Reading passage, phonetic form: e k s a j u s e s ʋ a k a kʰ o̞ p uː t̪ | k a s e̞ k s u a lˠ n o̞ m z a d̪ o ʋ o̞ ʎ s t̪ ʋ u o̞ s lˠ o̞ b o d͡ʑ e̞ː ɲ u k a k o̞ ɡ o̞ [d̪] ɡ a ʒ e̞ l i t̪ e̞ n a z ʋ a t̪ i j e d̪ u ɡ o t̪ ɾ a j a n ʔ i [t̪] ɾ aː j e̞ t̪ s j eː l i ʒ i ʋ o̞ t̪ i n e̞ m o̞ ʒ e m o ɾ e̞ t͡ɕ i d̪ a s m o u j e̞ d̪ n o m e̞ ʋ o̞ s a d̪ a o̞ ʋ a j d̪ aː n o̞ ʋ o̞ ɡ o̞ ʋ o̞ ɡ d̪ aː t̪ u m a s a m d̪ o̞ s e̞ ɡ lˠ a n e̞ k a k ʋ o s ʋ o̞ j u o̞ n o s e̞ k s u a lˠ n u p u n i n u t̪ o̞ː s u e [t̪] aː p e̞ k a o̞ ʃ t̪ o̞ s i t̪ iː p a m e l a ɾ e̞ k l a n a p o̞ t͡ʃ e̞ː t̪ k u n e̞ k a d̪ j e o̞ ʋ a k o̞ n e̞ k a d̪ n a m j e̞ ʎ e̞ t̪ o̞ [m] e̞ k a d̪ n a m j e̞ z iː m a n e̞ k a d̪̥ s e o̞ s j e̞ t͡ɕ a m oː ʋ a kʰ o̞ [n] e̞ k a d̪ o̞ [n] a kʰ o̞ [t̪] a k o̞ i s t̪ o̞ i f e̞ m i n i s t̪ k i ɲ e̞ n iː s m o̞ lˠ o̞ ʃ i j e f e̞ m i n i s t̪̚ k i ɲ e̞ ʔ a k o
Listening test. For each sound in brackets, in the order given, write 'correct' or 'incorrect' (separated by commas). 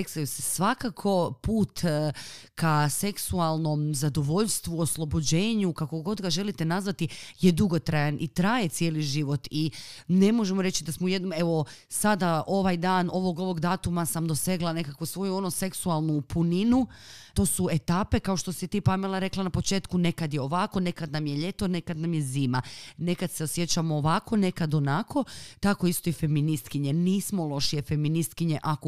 correct, correct, correct, incorrect, correct, correct, correct